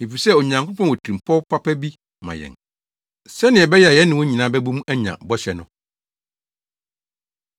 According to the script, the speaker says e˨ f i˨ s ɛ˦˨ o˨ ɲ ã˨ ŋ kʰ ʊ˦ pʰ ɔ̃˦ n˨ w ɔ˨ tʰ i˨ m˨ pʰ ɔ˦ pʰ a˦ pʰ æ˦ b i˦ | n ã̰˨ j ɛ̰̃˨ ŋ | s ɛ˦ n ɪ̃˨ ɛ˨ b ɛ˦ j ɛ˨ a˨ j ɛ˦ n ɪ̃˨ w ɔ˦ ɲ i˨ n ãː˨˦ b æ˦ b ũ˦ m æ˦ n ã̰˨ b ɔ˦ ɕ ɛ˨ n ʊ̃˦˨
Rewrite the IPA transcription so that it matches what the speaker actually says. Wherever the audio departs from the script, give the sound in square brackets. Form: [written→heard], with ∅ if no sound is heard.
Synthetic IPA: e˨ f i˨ s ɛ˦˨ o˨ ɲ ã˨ ŋ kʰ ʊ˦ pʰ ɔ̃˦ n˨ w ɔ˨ tʰ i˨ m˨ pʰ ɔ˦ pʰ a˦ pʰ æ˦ b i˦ | [n→m] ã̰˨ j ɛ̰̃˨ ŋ | s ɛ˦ n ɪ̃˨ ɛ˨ b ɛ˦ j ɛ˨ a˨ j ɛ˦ n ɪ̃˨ w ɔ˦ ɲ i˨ n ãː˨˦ b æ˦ b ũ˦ m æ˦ [n→ɲ] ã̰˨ b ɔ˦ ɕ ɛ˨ n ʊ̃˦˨